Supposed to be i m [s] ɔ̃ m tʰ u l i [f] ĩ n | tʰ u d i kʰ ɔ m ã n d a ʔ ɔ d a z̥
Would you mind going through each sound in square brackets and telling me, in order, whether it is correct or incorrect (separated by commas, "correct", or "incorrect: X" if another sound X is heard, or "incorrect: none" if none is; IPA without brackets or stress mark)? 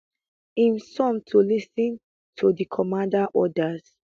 correct, incorrect: s